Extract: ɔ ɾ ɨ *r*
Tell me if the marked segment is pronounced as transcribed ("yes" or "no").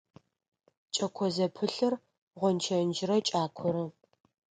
no